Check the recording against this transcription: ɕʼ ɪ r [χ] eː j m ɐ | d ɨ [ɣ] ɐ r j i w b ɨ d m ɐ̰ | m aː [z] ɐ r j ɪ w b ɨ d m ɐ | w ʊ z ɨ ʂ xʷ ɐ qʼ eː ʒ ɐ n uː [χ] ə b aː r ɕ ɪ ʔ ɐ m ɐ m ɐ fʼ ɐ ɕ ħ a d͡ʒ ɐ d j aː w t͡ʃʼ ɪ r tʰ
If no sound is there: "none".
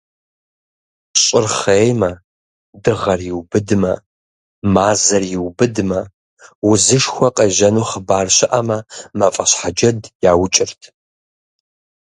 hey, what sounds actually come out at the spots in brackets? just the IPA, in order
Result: χ, ʁ, z, χ

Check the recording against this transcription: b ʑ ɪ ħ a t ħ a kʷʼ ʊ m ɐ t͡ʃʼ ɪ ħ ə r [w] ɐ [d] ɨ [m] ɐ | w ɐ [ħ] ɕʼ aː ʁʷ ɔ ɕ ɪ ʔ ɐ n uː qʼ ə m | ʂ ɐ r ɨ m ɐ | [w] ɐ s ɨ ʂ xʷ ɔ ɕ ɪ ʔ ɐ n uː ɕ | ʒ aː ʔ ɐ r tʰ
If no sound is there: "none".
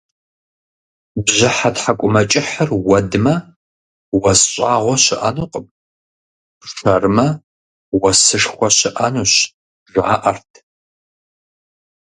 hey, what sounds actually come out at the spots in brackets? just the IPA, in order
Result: w, d, m, s, w

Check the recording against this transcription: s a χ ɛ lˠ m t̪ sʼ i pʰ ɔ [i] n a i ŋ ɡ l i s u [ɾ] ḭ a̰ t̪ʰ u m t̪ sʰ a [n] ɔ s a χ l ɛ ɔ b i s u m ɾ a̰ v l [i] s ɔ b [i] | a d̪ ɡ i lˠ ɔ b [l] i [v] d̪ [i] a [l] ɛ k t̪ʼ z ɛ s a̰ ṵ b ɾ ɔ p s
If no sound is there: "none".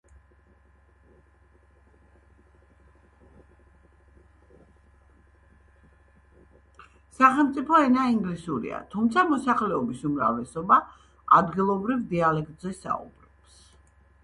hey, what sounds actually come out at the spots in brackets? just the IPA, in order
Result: ɛ, ɾ, m, ɛ, a, ɾ, v, i, l

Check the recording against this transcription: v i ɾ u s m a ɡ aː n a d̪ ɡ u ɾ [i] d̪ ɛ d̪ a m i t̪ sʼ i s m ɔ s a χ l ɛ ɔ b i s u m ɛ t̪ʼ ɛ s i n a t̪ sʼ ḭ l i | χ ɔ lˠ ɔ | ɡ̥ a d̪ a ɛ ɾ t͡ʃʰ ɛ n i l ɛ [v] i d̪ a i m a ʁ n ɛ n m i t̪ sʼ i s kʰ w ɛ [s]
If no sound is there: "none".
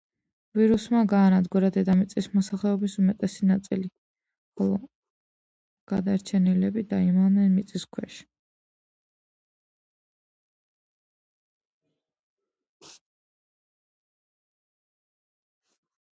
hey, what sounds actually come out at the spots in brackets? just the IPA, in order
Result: a, b, ʃ

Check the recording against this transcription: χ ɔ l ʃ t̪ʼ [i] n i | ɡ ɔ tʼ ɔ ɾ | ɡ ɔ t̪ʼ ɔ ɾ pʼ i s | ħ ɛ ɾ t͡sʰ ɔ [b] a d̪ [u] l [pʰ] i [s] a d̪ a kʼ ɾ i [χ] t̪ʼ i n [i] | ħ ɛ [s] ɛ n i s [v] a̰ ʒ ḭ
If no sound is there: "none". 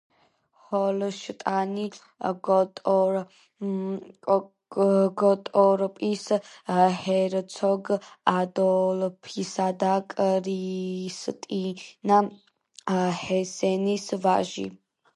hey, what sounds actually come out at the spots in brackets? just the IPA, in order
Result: a, ɡ, ɔ, pʰ, s, s, a, s, v

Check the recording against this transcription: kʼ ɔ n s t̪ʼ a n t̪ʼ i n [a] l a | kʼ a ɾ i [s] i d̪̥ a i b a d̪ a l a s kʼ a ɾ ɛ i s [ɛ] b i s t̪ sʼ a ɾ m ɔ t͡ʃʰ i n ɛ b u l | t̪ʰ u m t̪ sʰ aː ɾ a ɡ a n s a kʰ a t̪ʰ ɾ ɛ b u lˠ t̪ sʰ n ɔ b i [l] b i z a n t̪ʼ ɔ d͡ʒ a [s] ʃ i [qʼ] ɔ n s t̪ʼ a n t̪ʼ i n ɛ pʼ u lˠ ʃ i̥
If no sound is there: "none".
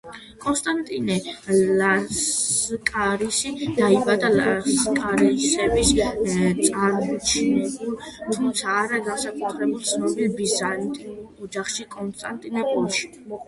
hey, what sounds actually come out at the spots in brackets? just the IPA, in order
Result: ɛ, s, ɛ, l, χ, kʼ

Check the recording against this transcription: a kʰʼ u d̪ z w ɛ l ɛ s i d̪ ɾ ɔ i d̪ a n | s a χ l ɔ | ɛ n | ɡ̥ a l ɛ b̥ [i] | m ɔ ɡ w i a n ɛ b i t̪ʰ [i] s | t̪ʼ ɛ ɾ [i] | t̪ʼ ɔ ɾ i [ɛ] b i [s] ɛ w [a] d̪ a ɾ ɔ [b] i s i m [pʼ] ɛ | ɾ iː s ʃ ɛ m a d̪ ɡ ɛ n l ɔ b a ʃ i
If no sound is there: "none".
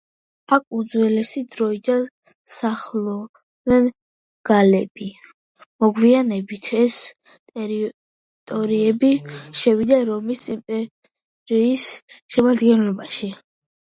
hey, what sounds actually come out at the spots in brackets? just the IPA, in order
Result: i, ɛ, i, ɛ, ʃ, i, m, pʼ

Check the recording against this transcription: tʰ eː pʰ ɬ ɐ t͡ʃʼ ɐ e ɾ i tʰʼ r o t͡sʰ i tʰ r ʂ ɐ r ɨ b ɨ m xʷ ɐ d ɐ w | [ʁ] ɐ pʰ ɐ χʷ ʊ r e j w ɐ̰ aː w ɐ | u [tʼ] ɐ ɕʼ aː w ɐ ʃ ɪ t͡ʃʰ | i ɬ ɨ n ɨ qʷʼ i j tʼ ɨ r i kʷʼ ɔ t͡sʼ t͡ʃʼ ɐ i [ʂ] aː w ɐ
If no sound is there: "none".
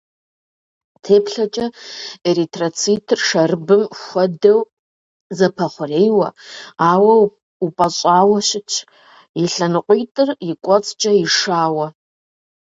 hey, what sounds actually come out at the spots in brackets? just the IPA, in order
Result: z, pʼ, ʂ

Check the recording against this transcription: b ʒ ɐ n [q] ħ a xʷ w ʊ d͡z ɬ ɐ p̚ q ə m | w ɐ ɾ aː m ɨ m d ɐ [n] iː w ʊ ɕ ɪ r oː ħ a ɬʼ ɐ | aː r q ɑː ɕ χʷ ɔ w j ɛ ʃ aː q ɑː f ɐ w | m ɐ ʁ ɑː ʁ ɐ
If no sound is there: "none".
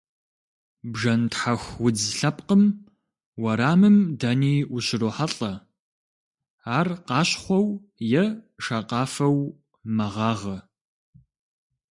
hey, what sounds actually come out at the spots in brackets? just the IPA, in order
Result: t, n

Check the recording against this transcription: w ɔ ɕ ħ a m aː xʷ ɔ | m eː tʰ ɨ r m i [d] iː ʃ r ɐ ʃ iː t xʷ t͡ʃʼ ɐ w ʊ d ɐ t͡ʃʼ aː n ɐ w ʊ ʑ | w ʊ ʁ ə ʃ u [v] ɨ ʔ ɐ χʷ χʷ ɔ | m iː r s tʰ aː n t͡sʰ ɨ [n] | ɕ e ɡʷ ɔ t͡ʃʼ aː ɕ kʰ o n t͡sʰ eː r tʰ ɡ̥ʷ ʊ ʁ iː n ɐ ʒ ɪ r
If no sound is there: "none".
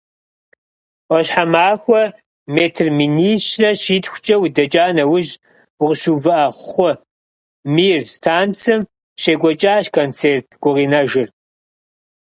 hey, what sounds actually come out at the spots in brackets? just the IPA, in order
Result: n, v, m

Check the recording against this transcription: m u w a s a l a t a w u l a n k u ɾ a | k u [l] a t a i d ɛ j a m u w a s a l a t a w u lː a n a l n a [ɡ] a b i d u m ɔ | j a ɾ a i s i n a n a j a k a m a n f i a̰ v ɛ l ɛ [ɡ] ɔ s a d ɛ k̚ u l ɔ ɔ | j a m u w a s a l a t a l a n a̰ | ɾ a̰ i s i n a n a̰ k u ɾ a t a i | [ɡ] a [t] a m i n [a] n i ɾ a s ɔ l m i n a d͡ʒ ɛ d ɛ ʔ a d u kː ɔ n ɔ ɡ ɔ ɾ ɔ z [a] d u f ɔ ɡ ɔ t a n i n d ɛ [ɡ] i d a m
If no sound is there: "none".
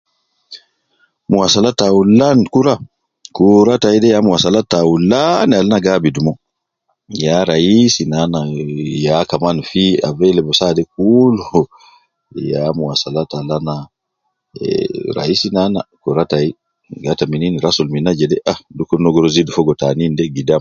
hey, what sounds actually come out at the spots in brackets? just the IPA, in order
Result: ɾ, ɡ, b, ɡ, t, i, i, ɡ

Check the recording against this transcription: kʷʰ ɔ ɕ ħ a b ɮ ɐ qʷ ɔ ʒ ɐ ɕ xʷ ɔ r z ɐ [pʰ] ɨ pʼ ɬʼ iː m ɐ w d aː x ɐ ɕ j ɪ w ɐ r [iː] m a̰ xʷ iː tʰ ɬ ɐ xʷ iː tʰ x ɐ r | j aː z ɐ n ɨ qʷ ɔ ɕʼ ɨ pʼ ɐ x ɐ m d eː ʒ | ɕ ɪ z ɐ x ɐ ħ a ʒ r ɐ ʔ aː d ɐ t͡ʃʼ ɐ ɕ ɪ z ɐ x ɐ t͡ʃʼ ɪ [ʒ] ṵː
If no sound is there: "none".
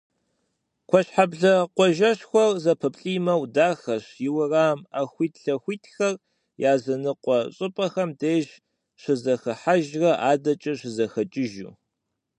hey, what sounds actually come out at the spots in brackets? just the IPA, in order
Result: pʰ, aː, ʒ

